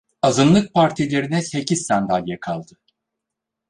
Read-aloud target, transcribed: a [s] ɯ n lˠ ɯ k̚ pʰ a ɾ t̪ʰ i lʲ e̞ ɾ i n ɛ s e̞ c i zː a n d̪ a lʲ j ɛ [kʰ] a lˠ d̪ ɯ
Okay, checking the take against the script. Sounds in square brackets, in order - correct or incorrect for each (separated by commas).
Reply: incorrect, correct